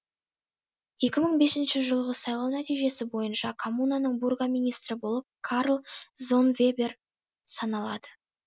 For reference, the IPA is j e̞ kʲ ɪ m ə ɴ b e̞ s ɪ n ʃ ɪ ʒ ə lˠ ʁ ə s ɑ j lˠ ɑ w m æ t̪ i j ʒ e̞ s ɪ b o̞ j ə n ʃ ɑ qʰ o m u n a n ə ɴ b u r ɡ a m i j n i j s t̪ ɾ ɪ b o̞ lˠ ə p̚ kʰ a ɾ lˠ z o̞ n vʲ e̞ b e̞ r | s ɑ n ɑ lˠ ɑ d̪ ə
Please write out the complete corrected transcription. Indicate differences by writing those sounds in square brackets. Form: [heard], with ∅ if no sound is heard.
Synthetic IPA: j e̞ kʲ ɪ m ə ɴ b e̞ s ɪ n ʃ ɪ ʒ ə lˠ ʁ ə s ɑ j lˠ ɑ w [n] æ t̪ i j ʒ e̞ s ɪ b o̞ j ə n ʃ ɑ [kʰ] o m u n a n ə ɴ b u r ɡ a m i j n i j s t̪ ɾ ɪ b o̞ lˠ ə p̚ kʰ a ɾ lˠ z o̞ n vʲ e̞ b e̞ r | s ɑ n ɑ lˠ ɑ d̪ ə